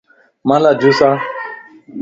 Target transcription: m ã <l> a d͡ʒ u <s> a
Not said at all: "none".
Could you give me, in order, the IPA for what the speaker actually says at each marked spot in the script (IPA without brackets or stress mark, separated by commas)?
l, s